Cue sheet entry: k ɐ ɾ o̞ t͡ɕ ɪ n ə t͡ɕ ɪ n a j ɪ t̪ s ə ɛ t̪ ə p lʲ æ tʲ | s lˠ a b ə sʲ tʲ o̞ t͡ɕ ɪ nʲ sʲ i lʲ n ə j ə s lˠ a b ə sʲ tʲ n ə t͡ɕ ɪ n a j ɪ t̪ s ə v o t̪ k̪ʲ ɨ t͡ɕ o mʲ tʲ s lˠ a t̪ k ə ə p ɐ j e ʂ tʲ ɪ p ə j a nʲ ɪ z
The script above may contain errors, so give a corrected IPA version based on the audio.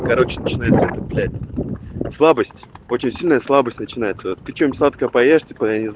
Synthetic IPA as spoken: k ɐ ɾ o̞ t͡ɕ ɪ n ə t͡ɕ ɪ n a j ɪ t̪ s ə ɛ t̪ ə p lʲ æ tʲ | s lˠ a b ə sʲ tʲ o̞ t͡ɕ ɪ nʲ sʲ i lʲ n ə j ə s lˠ a b ə sʲ tʲ n ə t͡ɕ ɪ n a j ɪ t̪ s ə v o t̪ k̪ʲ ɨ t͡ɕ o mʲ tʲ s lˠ a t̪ k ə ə p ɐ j e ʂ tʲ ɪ p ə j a nʲ ɪ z